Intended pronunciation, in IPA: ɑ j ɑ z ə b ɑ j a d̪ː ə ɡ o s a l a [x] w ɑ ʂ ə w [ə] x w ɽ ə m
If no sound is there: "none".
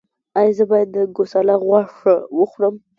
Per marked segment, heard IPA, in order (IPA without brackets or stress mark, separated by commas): ɣ, ə